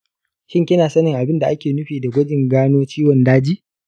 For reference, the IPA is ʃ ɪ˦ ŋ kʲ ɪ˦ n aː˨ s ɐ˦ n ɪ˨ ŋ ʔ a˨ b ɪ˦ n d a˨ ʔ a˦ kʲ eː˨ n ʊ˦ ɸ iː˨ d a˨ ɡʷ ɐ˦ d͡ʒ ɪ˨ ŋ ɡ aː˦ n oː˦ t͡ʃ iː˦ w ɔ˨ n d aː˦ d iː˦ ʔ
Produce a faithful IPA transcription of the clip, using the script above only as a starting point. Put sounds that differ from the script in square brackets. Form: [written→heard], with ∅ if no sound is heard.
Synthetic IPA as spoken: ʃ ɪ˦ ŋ kʲ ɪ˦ n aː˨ s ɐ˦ n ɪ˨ ŋ ʔ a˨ b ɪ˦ n d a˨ ʔ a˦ kʲ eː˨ n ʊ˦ ɸ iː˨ d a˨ ɡʷ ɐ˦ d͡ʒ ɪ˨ ŋ ɡ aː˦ n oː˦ t͡ʃ iː˦ w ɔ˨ n d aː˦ [d→d͡ʒ] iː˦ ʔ